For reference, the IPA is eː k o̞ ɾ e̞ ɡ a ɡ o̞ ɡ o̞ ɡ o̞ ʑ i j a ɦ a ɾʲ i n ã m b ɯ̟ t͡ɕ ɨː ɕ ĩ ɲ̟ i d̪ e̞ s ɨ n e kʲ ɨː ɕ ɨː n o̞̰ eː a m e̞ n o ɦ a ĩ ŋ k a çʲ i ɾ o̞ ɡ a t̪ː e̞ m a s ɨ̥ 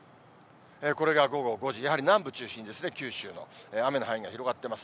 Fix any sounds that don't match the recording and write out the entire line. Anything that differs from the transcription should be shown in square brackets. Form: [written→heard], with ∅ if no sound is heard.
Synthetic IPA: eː k o̞ ɾ e̞ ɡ a ɡ o̞ ɡ o̞ ɡ o̞ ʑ i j a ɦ a ɾʲ i n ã m b ɯ̟ t͡ɕ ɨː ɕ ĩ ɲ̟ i d̪ e̞ s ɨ n e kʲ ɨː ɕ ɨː n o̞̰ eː a m e̞ n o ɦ a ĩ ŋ [k→ɡ] a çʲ i ɾ o̞ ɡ a t̪ː e̞ m a s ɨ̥